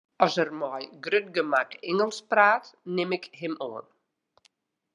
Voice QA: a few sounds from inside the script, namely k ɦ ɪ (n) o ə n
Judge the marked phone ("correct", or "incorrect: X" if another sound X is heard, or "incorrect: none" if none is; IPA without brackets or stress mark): incorrect: m